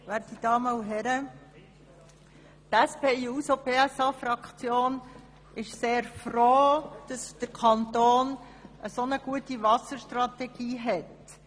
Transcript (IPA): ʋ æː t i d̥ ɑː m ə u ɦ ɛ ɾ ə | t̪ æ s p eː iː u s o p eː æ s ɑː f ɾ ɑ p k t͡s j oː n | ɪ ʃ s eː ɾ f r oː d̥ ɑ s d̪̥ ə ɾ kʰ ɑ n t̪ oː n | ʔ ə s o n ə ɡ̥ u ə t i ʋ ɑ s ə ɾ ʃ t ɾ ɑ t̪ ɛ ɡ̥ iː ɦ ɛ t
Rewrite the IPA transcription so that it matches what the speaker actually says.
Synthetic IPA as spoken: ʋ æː t i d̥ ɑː m ə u ɦ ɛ ɾ ə | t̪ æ s p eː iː u s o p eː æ s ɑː f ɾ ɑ k t͡s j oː n | ɪ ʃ s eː ɾ f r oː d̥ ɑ s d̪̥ ə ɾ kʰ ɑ n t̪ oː n | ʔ ə s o n ə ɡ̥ u ə t i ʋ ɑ s ə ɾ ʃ t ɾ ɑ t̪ ɛ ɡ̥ iː ɦ ɛ t

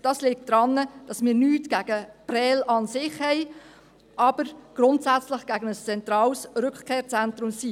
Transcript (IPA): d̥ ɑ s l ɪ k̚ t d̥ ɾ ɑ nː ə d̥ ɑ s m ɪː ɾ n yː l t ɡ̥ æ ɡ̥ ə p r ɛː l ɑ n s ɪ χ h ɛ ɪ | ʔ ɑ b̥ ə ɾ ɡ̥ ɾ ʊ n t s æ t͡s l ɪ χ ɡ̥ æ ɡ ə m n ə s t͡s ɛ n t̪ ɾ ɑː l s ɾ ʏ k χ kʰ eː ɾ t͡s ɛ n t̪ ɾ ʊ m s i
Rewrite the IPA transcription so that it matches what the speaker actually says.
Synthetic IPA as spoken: d̥ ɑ s l ɪ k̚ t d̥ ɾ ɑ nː ə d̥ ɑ s m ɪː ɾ n yː t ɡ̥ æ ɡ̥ ə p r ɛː l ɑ n s ɪ χ h ɛ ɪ | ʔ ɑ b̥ ə ɾ ɡ̥ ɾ ʊ n t s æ t͡s l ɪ χ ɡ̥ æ ɡ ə n ə s t͡s ɛ n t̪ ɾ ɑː l s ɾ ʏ k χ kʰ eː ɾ t͡s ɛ n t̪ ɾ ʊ m s i

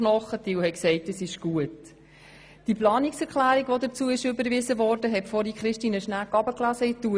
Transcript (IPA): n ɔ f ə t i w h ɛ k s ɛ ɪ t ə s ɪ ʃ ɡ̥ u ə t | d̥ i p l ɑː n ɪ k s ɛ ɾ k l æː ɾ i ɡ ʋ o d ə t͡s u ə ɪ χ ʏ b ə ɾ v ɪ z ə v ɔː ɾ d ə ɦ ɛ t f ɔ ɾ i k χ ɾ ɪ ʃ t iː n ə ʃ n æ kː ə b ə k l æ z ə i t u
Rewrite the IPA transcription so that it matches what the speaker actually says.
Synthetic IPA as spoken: n ɔ χ ə t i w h ɛ k s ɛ ɪ t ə s ɪ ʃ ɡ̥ u ə t | d̥ i p l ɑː n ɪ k s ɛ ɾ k l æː ɾ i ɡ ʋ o d ə t͡s u ə ɪ ʃ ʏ b ə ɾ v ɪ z ə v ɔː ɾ d ə ɦ ɛ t f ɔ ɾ i k χ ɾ ɪ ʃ t iː n ə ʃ n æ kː ɑ b ə k l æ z ə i t u

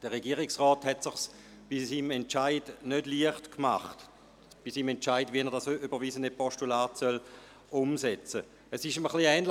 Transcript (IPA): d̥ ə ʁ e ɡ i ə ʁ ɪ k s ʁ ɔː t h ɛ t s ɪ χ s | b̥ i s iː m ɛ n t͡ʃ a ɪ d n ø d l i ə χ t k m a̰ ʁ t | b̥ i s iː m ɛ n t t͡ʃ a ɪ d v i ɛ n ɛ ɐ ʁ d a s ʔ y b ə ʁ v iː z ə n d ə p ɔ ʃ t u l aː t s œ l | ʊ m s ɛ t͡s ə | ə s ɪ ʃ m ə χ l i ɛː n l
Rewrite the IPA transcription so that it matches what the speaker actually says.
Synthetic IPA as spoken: d̥ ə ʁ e ɡ i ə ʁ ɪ k s ʁ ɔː t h ɛ t s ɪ χ s | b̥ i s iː m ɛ n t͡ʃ a ɪ d n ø d l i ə χ t k m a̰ χ t | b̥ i s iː m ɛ n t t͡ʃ a ɪ d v i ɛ n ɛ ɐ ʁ d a s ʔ y b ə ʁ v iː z ə n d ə p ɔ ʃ t u l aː t s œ l | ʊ m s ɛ t͡s ə | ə s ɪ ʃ m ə χ l i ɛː n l

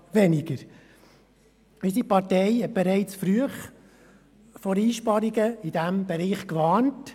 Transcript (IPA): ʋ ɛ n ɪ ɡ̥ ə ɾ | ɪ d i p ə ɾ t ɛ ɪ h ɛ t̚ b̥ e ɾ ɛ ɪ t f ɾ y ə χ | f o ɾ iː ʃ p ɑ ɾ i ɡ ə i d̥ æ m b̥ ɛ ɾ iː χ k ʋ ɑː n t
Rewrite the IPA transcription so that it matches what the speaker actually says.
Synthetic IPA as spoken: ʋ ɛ n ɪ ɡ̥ ə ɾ | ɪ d i p ɑ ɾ t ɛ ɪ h ɛ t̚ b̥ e ɾ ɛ ɪ t͡s f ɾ y ə χ | f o ɾ iː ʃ p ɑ ɾ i ɡ ə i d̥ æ m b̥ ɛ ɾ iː χ k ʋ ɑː n t

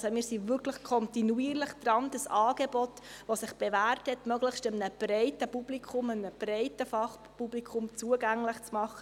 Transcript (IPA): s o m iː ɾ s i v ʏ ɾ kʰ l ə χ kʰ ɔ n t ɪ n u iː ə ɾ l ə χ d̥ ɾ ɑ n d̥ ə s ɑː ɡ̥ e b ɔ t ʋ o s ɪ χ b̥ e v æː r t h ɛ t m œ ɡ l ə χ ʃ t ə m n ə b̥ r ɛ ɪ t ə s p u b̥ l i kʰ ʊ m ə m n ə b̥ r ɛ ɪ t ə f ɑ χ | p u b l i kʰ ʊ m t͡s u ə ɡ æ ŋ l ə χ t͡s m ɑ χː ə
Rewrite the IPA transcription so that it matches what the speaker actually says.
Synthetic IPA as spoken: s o m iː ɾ s i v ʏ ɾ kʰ l ə χ kʰ ɔ n t i n u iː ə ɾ l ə χ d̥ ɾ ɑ n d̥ ə s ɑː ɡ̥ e b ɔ t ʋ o s ɪ χ b̥ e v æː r t h ɛ t m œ ɡ l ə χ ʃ t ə m n ə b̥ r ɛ ɪ t ə p u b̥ l i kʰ ʊ m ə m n ə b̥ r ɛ ɪ t ə f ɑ χ | p u b l i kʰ ʊ m t͡s u ə ɡ æ ŋ l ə χ t͡s m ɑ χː ə

